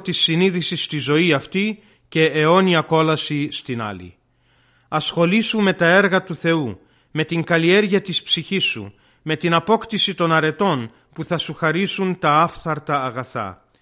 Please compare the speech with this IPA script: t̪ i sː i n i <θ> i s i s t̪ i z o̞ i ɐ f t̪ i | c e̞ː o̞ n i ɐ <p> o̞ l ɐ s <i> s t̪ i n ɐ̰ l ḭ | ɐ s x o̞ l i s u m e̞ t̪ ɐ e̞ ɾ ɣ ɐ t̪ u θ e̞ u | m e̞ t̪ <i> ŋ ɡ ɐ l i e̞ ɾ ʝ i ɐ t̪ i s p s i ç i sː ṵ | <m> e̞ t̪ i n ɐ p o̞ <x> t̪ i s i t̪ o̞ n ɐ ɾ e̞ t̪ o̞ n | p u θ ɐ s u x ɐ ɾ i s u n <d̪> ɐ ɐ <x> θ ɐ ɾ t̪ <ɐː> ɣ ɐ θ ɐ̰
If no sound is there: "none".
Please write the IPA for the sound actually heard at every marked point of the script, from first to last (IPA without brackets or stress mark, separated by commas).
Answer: ð, k, i, i, m, k, t̪, f, ɐː